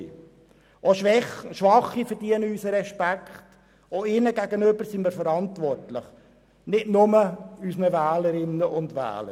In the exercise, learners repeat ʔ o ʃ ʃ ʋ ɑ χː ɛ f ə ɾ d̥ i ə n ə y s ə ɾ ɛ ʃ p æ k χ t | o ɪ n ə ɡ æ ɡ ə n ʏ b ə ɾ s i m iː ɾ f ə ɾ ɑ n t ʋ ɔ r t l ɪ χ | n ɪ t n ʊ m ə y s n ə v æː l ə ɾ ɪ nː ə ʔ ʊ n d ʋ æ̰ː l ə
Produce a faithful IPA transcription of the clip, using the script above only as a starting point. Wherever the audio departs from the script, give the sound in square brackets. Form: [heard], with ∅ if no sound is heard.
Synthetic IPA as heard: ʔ o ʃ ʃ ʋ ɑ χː [i] f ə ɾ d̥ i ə n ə y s ə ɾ ɛ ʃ p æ k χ t | o ɪ n ə ɡ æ ɡ ə n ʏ b ə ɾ s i m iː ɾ f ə ɾ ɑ n t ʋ ɔ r t l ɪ χ | n ɪ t n ʊ m ə y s n ə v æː l ə ɾ ɪ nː ə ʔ ʊ n d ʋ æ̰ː l ə